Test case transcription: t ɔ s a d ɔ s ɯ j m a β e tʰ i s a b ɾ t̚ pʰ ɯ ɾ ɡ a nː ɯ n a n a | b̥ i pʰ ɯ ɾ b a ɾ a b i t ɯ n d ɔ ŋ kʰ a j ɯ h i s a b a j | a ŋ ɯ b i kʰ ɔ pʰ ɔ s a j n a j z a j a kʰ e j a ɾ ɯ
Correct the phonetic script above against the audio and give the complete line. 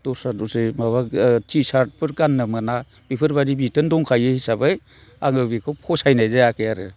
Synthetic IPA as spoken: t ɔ s a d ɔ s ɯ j m a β a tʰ i s a ɾ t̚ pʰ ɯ ɾ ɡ a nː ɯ m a n a | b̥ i pʰ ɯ ɾ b a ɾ i b i t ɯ n d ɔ ŋ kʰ a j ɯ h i s a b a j | a ŋ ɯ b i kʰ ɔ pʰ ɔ s a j n a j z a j a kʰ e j a ɾ ɯ

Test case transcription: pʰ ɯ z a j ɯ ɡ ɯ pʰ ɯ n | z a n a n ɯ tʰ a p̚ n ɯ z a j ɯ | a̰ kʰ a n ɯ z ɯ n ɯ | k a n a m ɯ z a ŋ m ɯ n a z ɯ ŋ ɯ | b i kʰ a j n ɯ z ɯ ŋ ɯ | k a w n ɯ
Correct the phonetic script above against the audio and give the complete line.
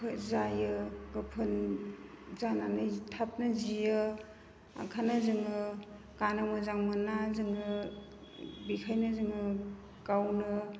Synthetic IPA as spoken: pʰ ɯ z a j ɯ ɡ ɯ pʰ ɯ n | z a n a n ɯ tʰ a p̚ n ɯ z i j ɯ | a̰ kʰ a n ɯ z ɯ ŋ ɯ | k a n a m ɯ z a ŋ m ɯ n a z ɯ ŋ ɯ | b i kʰ a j n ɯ z ɯ ŋ ɯ | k a w n ɯ

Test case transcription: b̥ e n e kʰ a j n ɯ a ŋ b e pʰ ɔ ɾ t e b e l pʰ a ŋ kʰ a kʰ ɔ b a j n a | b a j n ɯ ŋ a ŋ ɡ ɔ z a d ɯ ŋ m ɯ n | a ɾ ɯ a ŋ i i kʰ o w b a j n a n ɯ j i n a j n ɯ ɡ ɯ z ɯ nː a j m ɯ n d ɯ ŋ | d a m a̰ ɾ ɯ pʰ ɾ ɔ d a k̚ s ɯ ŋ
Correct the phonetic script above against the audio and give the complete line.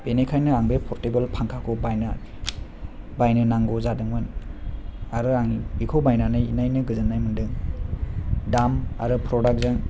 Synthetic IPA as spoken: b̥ e n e kʰ a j n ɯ a ŋ b e pʰ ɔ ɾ t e b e l pʰ a ŋ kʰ a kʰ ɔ b a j n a | b a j n ɯ n a ŋ ɡ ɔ z a d ɯ ŋ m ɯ n | a ɾ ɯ a ŋ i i kʰ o w b a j n a n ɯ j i n a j n ɯ ɡ ɯ z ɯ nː a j m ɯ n d ɯ ŋ | d a m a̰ ɾ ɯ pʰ ɾ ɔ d a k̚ z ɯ ŋ

